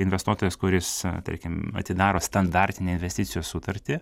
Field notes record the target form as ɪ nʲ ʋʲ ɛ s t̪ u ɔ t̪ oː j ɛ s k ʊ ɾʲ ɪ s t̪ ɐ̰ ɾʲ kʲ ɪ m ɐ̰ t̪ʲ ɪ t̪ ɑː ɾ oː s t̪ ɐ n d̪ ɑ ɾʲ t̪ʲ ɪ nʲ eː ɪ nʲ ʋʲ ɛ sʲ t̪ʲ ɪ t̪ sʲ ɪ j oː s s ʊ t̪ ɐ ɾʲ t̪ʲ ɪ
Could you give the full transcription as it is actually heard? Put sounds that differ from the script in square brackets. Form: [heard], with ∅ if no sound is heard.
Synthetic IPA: ɪ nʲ ʋʲ ɛ s t̪ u ɔ t̪ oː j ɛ s k ʊ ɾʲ ɪ s t̪ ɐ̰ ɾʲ kʲ ɪ m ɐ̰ t̪ʲ ɪ [d̪] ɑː ɾ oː s t̪ ɐ n d̪ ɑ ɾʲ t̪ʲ ɪ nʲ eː ɪ nʲ ʋʲ ɛ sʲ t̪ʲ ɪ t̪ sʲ ɪ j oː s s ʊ t̪ ɐ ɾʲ t̪ʲ ɪ